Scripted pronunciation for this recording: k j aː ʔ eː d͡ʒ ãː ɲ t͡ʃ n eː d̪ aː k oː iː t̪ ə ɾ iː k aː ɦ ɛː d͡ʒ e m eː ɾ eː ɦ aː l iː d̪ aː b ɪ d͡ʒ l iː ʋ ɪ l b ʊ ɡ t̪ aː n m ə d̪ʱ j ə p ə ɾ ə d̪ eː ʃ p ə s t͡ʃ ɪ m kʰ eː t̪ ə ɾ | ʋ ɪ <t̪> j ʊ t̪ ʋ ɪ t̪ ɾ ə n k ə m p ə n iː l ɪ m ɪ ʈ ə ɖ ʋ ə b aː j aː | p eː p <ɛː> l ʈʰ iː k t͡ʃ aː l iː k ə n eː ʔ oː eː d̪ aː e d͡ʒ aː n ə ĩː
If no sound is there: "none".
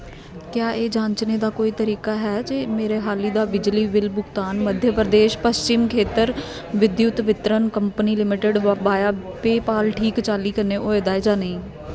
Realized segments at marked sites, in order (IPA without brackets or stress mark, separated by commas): d̪, aː